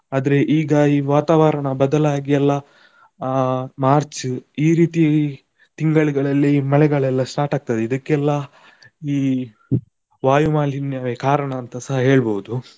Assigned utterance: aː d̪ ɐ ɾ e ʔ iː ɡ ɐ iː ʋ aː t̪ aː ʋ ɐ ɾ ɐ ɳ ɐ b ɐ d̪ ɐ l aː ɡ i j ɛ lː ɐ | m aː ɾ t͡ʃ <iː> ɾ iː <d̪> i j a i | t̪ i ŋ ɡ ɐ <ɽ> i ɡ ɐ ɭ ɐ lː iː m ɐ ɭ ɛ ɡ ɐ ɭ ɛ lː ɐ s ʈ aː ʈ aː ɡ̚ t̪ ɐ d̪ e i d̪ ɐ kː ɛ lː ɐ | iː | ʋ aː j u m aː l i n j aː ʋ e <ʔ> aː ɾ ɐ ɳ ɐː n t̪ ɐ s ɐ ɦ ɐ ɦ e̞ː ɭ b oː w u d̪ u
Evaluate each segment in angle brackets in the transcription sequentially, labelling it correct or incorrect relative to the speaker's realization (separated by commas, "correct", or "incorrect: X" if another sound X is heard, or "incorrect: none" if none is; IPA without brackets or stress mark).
correct, incorrect: t̪, incorrect: ɭ, incorrect: k